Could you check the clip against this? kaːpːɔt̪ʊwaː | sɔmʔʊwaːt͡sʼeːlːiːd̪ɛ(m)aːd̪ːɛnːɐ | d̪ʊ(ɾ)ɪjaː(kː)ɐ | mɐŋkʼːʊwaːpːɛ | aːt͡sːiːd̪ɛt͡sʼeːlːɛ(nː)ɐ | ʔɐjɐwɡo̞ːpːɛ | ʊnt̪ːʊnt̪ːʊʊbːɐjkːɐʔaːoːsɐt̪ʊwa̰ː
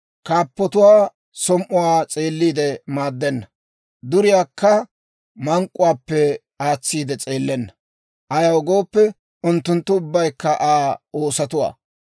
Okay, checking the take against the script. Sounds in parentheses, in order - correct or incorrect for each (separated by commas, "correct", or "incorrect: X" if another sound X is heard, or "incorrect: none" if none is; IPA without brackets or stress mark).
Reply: correct, correct, correct, correct